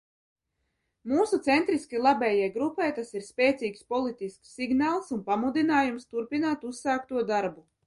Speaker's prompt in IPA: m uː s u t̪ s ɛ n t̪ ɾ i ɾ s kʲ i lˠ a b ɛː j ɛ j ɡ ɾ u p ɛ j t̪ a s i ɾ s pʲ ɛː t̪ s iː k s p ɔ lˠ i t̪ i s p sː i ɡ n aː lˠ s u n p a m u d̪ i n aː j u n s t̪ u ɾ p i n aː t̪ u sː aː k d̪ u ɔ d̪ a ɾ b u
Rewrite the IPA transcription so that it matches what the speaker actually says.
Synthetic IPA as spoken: m uː s u t̪ s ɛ n t̪ ɾ i s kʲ i lˠ a b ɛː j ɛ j ɡ ɾ u p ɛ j t̪ a s i ɾ s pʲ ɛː t̪ s iː k s p ɔ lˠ i t̪ i s k sː i ɡ n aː lˠ s u n p a m u d̪ i n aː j u m s t̪ u ɾ p i n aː t̪ u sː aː k t̪ u ɔ d̪ a ɾ b u